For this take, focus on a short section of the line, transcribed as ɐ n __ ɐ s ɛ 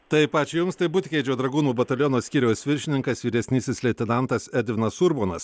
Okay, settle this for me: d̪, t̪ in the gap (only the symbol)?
t̪